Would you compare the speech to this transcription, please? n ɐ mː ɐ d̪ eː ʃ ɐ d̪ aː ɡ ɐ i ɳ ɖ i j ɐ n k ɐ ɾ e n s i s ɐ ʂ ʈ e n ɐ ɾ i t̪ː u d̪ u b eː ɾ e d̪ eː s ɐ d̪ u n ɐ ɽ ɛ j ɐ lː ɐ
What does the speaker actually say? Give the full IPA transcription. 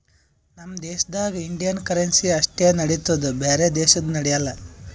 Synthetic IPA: n ɐ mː ɐ d̪ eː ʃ ɐ d̪ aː ɡ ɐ i ɳ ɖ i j ɐ n k ɐ ɾ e n s i ɐ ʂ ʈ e n ɐ ɽ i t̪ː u d̪ u b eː ɾ e d̪ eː ʃ ɐ d̪ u n ɐ ɽ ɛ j ɐ lː ɐ